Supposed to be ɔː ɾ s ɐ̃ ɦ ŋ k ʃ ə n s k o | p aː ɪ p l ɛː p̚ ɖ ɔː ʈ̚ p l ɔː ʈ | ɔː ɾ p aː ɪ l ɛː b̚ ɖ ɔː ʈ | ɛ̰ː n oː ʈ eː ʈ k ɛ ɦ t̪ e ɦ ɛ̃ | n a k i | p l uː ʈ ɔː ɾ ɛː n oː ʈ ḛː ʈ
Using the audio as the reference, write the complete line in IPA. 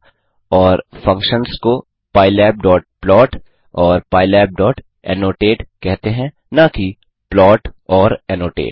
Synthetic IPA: ɔː ɾ f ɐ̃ ŋ k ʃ ə n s k o | p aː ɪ l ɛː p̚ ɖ ɔː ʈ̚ p l ɔː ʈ | ɔː ɾ p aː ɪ l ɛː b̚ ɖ ɔː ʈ | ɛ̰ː n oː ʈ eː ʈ k ɛ ɦ t̪ e ɦ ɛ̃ | n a k i | p l ɔː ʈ ɔː ɾ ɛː n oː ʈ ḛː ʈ